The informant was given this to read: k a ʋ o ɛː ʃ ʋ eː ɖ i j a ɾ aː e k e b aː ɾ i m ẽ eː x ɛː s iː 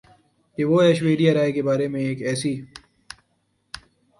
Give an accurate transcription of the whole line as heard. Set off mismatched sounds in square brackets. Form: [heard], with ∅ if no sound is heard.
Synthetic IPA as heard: k [e] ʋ o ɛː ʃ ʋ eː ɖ i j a ɾ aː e k e b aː ɾ [e] m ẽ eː [k] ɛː s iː